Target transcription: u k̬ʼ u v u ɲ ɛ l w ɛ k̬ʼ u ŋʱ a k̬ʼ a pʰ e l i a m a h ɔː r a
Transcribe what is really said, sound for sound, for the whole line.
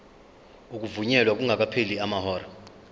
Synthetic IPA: u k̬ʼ u v u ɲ ɛ l w a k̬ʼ u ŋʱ a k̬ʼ a pʰ e l i a m a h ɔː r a